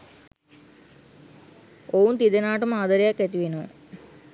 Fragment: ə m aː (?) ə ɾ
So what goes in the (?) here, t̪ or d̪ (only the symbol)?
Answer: d̪